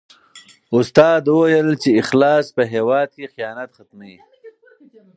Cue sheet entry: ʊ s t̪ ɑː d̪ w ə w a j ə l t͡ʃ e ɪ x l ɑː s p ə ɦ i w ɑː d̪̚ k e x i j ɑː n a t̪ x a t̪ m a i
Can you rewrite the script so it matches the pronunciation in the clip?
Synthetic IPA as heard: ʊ s t̪ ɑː d̪ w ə w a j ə l t͡ʃ e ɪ x l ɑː s p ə ɦ e w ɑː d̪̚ k e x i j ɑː n a t̪ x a t̪ m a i